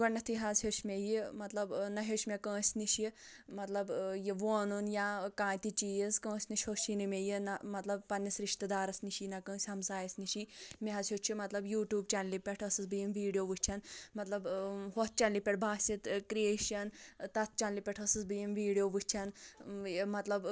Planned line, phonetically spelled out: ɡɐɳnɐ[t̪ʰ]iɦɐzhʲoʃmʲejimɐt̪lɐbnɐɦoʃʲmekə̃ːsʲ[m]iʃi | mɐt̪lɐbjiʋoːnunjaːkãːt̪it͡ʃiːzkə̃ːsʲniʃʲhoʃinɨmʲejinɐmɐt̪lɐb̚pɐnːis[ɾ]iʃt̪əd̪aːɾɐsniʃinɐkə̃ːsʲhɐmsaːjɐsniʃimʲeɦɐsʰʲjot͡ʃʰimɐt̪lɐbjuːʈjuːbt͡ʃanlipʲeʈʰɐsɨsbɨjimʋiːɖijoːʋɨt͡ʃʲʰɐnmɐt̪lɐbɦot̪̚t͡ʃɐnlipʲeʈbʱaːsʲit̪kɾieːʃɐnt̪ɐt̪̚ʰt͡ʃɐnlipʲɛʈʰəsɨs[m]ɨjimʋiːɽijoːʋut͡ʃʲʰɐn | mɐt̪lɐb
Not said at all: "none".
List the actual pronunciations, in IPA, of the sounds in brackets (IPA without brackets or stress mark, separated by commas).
t̪ʰ, n, ɾ, b